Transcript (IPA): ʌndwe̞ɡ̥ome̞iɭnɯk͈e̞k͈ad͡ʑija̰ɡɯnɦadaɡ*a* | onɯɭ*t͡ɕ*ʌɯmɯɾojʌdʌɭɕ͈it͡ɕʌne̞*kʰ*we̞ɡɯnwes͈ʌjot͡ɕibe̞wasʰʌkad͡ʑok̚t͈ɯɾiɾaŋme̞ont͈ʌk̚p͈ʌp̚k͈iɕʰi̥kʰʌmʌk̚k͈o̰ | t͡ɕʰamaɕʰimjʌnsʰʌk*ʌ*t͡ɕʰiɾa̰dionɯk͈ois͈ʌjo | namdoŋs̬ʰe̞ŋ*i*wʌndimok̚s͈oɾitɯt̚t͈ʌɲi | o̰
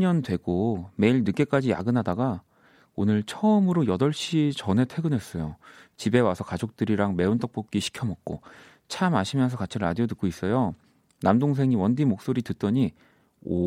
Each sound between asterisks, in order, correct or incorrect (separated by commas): correct, incorrect, incorrect, incorrect, correct